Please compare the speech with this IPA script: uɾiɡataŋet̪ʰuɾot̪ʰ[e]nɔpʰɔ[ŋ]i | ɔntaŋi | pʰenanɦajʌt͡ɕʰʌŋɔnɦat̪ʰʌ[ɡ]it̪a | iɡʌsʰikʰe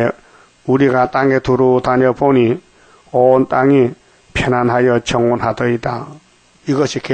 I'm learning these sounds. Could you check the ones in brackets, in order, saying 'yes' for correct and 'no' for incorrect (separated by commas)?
no, no, no